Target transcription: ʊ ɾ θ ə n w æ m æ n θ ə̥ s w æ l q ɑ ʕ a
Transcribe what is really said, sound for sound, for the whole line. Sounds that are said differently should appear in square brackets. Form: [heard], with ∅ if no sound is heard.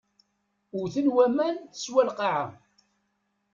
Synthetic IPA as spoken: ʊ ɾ θ ə n w æ m æ n θ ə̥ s w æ l q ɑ ʕ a